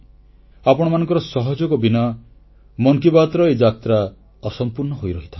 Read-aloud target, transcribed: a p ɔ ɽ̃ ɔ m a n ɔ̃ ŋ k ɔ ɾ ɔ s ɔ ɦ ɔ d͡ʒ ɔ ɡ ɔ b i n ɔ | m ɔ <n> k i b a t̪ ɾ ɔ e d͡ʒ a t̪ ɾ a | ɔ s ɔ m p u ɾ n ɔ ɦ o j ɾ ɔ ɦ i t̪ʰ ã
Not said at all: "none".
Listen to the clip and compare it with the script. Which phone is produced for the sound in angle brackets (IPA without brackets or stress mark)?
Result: ŋ